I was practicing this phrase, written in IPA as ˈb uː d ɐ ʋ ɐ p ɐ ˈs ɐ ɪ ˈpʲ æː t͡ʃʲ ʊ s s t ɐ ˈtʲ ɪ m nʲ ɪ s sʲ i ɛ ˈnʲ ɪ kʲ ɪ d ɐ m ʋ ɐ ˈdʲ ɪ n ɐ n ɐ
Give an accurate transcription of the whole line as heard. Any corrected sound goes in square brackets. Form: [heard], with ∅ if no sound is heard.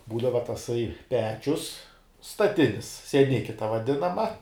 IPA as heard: ˈb uː d ɐ ʋ ɐ [t] ɐ ˈs ɐ ɪ ˈpʲ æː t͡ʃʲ ʊ s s t ɐ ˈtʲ ɪ [∅] nʲ ɪ s sʲ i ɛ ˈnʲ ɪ kʲ ɪ [t] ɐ [∅] ʋ ɐ ˈdʲ ɪ n ɐ [m] ɐ